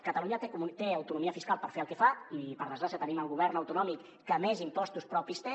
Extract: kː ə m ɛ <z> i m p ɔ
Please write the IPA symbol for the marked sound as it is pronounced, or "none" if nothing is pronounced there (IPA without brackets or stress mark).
z